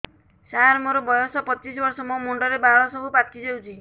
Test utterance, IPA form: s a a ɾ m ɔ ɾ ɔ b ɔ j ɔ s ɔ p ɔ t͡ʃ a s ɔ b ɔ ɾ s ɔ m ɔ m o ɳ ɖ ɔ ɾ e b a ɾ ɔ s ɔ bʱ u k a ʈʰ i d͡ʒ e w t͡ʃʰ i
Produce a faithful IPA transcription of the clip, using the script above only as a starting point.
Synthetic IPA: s a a ɾ m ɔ ɾ ɔ b ɔ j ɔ s ɔ p ɔ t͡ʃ i s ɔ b ɔ ɾ s ɔ m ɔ m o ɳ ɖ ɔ ɾ e b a ɭ ɔ s ɔ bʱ u p a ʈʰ i d͡ʒ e w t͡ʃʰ i